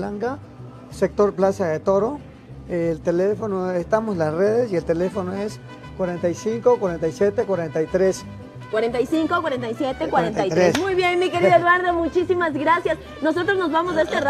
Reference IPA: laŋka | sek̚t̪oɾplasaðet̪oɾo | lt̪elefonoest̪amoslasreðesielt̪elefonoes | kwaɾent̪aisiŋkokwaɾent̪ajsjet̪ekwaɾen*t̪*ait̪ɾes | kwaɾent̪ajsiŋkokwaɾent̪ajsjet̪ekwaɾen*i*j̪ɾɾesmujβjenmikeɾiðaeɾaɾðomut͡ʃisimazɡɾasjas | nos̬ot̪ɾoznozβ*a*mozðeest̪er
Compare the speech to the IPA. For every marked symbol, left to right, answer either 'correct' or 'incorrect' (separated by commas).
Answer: correct, incorrect, correct